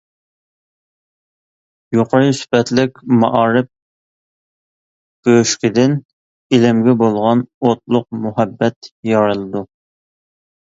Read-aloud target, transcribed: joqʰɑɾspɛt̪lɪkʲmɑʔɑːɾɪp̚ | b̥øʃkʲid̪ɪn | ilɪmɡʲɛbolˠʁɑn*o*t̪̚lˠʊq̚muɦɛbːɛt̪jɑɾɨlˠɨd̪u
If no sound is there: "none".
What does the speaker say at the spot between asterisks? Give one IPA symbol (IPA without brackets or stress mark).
o